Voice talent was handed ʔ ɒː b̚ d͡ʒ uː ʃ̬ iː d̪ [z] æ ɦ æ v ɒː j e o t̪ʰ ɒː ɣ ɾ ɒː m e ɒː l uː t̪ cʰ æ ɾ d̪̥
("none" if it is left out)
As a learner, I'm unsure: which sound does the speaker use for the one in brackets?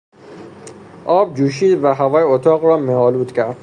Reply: v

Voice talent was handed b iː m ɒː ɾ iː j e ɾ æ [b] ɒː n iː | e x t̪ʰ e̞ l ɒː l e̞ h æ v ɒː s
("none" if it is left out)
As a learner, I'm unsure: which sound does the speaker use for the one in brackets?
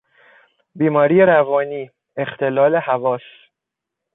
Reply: v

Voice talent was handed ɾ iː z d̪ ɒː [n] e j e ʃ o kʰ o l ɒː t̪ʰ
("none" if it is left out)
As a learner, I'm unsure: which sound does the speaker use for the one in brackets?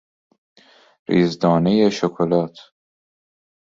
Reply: n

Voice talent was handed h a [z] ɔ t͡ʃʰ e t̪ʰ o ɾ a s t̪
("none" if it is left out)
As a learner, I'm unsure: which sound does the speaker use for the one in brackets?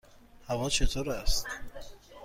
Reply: v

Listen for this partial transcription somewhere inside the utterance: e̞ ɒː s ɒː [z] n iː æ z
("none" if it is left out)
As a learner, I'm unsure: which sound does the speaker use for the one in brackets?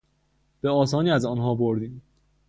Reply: none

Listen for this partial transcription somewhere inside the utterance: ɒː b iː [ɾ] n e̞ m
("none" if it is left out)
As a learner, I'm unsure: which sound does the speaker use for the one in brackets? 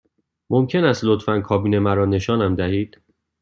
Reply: none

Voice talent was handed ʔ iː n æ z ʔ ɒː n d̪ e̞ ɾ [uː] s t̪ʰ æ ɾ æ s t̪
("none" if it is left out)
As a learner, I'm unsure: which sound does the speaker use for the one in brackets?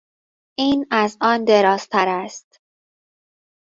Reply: ɒː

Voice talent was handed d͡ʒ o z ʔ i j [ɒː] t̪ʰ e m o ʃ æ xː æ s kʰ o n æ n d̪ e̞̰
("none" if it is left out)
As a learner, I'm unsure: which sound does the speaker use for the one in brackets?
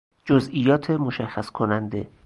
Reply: ɒː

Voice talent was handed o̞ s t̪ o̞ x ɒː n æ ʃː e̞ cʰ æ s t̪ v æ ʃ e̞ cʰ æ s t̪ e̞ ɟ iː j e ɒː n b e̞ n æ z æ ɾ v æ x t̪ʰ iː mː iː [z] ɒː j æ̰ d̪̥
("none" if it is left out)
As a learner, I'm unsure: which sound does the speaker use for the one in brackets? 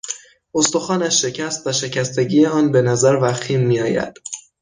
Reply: none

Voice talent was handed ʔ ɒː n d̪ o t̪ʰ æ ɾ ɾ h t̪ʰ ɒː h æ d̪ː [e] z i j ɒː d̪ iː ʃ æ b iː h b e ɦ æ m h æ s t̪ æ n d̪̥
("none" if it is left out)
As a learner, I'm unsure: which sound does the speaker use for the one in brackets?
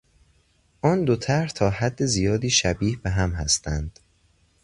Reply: e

